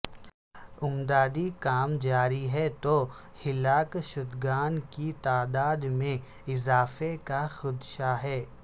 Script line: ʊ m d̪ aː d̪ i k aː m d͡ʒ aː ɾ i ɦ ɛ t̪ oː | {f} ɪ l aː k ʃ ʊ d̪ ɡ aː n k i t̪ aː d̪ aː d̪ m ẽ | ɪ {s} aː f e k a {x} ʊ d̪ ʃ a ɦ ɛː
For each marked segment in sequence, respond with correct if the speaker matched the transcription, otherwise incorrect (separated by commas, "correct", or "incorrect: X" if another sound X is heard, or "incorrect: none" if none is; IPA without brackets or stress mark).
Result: incorrect: h, incorrect: z, correct